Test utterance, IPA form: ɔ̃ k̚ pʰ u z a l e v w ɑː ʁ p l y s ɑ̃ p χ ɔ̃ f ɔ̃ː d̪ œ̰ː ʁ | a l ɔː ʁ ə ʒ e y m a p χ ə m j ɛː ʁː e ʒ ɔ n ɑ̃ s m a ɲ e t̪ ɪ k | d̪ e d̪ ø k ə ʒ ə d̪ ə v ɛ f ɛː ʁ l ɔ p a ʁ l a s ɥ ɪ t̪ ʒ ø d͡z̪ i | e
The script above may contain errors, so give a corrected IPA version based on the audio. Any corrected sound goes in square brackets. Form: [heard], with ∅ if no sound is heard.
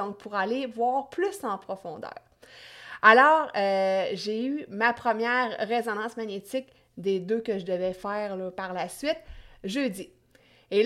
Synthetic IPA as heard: ɔ̃ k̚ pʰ u [ʁ] a l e v w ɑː ʁ p l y s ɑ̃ p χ [ɔ] f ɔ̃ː d̪ œ̰ː ʁ | a l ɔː ʁ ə ʒ e y m a p χ ə m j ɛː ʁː e [z] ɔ n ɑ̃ s m a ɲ e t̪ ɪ k | d̪ e d̪ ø k ə ʒ ə d̪ ə v ɛ f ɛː ʁ l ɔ p a ʁ l a s ɥ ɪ t̪ ʒ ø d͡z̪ i | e